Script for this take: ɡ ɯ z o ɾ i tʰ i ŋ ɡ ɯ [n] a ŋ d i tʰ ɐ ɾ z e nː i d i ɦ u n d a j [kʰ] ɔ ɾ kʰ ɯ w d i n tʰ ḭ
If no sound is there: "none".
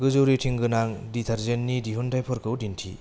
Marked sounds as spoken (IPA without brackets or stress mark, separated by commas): n, pʰ